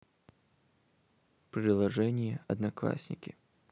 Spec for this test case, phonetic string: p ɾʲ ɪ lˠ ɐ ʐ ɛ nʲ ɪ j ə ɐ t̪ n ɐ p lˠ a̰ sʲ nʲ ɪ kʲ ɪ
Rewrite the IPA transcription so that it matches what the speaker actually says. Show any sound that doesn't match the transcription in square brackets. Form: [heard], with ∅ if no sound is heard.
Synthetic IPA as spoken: p ɾʲ ɪ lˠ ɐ ʐ ɛ nʲ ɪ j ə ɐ [d̪] n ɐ [k] lˠ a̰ sʲ nʲ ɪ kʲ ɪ